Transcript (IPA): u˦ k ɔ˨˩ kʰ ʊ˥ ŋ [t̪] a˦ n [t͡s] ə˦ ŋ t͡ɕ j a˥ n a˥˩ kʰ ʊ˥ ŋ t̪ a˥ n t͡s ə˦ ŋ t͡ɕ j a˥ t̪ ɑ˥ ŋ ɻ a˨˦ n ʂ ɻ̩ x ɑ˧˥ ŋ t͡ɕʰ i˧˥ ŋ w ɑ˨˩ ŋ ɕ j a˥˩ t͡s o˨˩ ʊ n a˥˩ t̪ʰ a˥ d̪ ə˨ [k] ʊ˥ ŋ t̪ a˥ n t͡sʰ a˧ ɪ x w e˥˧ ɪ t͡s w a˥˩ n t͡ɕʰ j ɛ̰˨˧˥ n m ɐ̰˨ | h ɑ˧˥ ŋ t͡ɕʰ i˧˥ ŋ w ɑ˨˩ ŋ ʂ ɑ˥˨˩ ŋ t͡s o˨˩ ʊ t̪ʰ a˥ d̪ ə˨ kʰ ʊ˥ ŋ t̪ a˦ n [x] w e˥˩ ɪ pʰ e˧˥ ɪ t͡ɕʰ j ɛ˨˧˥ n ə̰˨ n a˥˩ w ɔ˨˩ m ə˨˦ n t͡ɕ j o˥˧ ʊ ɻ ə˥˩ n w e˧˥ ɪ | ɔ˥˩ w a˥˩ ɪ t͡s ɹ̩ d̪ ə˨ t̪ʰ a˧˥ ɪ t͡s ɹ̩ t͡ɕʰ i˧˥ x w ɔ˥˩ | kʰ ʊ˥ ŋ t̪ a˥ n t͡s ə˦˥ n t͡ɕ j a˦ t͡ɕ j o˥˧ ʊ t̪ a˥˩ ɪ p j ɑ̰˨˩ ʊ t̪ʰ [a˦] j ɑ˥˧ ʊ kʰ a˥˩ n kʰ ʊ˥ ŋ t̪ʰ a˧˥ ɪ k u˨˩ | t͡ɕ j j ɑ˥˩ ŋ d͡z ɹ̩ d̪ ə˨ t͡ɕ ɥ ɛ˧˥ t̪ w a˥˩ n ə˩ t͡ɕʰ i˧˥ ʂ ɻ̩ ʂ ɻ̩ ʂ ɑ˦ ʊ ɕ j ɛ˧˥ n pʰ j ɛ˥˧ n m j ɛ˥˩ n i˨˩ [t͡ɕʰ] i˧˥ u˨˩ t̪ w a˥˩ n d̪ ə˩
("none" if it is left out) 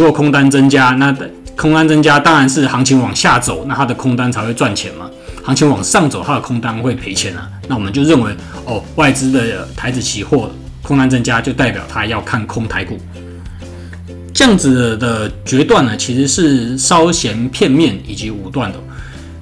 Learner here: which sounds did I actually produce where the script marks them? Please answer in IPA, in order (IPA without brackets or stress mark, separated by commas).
t̪, t͡s, kʰ, x, a˦, t͡ɕ